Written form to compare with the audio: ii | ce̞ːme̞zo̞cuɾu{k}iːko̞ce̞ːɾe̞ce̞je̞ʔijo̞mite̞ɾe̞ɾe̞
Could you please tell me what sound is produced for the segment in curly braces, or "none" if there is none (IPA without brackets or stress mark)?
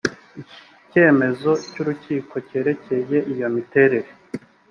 c